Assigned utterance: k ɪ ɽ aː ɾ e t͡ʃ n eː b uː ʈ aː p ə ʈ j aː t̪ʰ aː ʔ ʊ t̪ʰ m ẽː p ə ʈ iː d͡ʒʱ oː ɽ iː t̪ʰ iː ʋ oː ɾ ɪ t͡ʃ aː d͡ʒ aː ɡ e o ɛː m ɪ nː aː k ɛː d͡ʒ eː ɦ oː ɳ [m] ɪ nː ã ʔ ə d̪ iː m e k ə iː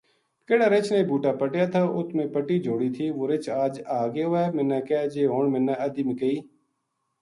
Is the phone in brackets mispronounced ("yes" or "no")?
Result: no